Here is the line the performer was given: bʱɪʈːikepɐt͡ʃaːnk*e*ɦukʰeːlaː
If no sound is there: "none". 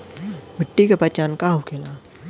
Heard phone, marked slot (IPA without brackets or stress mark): a